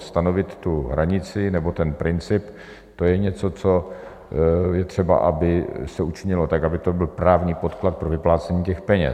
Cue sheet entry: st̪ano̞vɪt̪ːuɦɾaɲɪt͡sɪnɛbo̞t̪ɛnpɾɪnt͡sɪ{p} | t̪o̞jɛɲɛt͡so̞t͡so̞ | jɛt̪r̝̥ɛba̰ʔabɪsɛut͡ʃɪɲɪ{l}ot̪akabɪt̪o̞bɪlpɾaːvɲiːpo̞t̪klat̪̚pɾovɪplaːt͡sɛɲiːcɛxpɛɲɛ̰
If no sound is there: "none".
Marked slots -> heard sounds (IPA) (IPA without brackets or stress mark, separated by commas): p, l